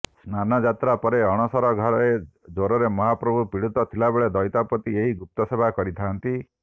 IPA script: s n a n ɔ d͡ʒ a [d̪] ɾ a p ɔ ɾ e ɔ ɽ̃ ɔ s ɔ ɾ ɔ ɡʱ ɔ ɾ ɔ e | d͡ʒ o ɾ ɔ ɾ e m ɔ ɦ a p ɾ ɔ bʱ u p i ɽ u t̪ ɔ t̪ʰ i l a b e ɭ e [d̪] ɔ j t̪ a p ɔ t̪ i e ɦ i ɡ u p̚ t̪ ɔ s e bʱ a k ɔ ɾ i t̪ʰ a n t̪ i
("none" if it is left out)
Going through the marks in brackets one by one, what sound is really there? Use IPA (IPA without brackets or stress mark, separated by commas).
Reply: t̪, d̪